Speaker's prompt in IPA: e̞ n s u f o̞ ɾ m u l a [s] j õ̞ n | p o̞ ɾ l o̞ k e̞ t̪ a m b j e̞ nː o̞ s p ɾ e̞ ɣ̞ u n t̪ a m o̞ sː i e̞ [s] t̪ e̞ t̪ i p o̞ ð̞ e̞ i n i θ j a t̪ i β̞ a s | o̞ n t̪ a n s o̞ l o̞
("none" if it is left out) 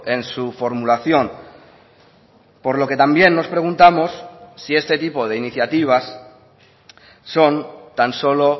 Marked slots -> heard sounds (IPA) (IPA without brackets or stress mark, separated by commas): θ, s